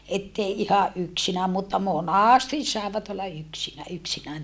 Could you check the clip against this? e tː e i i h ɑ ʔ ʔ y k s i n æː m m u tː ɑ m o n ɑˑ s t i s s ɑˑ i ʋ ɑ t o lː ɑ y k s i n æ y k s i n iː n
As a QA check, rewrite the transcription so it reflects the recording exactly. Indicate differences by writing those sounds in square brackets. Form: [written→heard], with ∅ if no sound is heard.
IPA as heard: e tː e i i h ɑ ʔ ʔ y k s i n æː m m u tː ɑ m o n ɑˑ s t i s s ɑˑ [i→e] ʋ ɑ t o lː ɑ y k s i n æ y k s i n [iː→æː] n